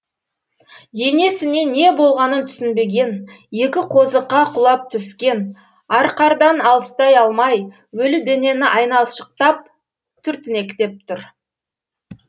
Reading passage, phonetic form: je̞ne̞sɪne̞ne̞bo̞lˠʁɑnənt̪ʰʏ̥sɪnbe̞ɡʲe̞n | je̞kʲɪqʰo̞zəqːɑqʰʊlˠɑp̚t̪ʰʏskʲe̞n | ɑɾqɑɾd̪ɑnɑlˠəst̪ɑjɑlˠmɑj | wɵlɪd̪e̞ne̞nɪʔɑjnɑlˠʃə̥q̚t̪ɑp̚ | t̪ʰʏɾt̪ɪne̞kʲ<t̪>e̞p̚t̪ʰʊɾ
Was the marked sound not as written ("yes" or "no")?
no